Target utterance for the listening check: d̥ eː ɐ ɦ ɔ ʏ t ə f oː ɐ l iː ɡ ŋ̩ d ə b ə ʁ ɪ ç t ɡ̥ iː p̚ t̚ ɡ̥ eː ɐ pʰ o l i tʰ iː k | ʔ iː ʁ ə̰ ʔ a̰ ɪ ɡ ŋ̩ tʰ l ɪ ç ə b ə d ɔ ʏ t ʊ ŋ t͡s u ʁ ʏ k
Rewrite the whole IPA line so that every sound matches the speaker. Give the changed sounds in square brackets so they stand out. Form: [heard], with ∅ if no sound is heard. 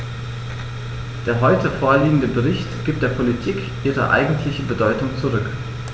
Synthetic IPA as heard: d̥ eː ɐ ɦ ɔ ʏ t ə f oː ɐ l iː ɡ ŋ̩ d ə b ə ʁ ɪ ç t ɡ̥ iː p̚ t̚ [d̥] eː ɐ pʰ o l i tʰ iː k | ʔ iː ʁ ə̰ ʔ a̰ ɪ ɡ ŋ̩ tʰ l ɪ ç ə b ə d ɔ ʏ t ʊ ŋ t͡s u ʁ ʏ k